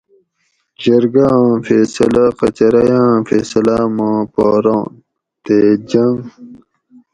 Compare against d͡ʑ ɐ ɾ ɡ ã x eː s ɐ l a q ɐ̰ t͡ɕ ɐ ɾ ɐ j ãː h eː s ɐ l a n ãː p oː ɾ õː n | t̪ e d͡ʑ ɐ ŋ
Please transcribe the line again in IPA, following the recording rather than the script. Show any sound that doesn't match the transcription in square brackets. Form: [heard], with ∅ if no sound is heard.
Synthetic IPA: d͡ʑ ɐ ɾ ɡ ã [f] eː s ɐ l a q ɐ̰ t͡ɕ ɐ ɾ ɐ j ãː [f] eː s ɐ l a [m] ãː p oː ɾ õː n | t̪ e d͡ʑ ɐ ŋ